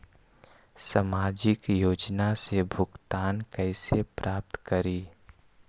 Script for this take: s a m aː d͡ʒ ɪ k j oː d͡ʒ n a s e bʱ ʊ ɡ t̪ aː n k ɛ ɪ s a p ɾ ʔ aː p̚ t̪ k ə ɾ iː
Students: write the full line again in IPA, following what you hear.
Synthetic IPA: s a m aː d͡ʒ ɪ k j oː d͡ʒ n a s e bʱ ʊ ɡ t̪ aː n k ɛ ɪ s e p ɾ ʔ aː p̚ t̪ k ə ɾ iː